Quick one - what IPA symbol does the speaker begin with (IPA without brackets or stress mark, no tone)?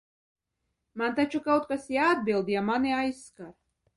m